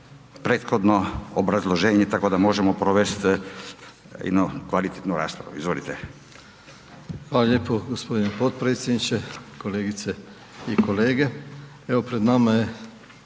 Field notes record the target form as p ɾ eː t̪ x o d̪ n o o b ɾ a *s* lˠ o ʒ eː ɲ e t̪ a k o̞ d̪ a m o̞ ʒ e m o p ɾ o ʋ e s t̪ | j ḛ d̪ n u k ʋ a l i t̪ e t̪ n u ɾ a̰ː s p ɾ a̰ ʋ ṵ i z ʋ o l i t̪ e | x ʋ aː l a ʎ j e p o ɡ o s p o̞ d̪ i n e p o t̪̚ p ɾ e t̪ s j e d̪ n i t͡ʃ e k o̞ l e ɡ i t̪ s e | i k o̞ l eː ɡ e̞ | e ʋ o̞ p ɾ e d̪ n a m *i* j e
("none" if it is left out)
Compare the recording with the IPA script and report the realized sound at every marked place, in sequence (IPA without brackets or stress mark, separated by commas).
z, a